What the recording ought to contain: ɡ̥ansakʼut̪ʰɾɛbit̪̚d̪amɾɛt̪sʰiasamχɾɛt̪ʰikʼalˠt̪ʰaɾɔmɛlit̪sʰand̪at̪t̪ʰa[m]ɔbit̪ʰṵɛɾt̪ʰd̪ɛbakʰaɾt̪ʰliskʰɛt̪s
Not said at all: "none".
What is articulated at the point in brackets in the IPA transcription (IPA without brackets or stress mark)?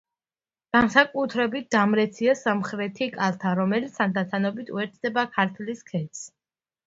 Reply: n